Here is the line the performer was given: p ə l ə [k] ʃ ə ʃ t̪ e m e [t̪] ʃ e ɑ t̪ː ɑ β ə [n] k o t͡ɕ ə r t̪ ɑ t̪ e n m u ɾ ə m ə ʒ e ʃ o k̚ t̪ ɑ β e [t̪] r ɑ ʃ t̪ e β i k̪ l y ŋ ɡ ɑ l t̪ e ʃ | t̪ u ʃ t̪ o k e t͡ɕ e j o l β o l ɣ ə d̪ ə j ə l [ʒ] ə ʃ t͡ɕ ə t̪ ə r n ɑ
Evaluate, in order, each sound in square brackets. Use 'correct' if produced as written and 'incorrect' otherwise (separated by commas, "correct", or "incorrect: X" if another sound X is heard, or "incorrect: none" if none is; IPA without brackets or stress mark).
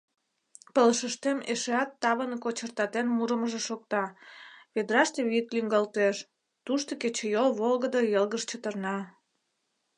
incorrect: none, incorrect: none, correct, incorrect: d̪, incorrect: ɣ